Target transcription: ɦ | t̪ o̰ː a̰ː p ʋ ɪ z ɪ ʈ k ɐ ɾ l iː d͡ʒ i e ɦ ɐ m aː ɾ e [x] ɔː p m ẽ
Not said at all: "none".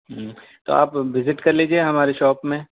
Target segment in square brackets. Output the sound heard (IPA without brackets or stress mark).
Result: ʃ